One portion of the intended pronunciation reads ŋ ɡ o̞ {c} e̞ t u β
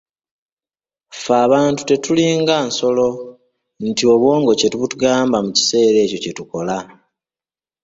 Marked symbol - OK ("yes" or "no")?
yes